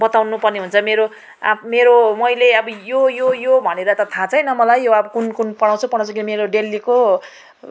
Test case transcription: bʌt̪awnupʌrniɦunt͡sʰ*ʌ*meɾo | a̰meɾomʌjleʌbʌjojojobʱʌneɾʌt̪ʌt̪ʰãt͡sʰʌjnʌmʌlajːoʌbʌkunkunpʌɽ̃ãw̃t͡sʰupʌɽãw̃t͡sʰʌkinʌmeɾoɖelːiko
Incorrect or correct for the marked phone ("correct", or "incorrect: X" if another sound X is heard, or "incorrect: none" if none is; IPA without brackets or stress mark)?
correct